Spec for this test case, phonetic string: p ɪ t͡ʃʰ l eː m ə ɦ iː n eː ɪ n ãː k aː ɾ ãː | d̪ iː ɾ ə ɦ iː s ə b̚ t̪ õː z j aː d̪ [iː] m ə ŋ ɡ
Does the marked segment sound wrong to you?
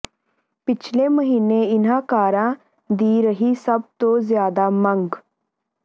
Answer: yes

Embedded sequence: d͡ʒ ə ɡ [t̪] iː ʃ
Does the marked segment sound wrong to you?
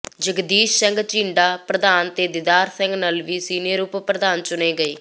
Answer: yes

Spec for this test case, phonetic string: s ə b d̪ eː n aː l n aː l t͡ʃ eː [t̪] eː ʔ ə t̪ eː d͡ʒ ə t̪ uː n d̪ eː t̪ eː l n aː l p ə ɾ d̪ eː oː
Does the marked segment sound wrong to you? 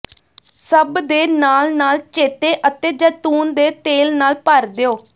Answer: no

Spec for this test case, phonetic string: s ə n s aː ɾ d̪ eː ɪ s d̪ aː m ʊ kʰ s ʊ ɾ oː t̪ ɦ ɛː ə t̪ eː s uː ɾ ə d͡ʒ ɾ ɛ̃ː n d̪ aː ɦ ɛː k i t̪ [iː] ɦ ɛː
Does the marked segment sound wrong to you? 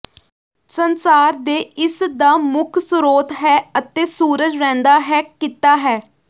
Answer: yes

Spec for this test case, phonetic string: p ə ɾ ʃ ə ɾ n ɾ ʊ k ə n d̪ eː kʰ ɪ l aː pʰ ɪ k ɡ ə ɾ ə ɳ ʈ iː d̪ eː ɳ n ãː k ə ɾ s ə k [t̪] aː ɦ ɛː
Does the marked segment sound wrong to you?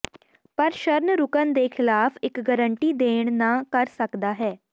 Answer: yes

